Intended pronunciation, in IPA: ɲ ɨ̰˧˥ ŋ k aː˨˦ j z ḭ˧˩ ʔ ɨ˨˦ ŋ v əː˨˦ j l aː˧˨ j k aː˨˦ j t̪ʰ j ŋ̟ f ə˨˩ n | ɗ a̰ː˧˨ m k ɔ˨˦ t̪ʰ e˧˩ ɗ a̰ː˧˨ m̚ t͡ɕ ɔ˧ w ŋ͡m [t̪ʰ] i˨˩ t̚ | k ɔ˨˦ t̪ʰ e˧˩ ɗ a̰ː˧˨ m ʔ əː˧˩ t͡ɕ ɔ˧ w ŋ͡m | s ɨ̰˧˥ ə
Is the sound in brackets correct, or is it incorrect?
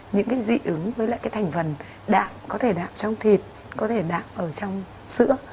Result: correct